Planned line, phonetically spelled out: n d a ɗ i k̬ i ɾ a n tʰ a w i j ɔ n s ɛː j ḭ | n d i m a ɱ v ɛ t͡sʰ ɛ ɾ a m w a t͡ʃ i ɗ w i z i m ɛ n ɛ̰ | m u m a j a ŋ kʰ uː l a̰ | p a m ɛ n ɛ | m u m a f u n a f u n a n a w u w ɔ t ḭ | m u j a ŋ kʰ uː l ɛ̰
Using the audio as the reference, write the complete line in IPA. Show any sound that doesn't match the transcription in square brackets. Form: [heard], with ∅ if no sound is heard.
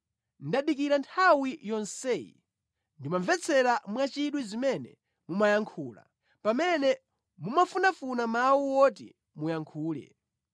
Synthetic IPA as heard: n d a ɗ i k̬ i ɾ a n tʰ a w i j ɔ n s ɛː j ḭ | n d i m a ɱ v ɛ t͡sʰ ɛ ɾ a m w a t͡ʃ i ɗ w i z i m ɛ n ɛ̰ | m u m a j a ŋ kʰ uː l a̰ | p a m ɛ n ɛ | m u m a f u n a f u n a [m] a w u w ɔ t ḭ | m u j a ŋ kʰ uː l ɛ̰